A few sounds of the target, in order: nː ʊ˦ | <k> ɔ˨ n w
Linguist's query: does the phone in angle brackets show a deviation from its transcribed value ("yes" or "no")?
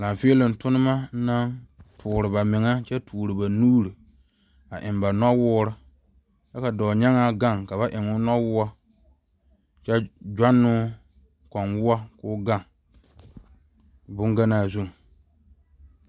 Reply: no